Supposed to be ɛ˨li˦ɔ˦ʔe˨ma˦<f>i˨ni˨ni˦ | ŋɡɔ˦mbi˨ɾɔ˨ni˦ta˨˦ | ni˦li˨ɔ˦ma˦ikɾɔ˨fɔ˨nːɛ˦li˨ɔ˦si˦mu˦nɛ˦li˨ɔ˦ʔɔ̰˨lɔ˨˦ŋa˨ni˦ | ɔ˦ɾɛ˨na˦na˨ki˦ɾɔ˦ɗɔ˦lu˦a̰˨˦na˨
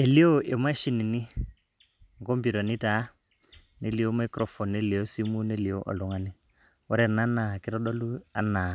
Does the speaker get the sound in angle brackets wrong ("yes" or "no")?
yes